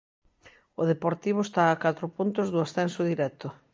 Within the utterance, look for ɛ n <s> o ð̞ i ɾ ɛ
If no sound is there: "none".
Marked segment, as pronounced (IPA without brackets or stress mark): s